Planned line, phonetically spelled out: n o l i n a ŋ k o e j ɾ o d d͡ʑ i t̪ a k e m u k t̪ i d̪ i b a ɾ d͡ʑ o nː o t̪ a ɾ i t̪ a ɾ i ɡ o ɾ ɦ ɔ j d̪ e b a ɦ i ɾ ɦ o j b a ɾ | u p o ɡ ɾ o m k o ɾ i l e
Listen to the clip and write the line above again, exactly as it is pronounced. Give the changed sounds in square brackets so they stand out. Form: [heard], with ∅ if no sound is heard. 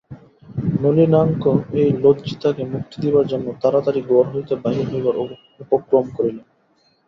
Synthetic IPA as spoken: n o l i n a ŋ k o e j [l] o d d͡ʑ i t̪ a k e m u k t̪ i d̪ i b a ɾ d͡ʑ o nː o t̪ a ɾ [a] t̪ a ɾ i ɡ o ɾ ɦ [o] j [t̪] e b a ɦ i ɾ ɦ o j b a ɾ | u p o [k] ɾ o m k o ɾ i l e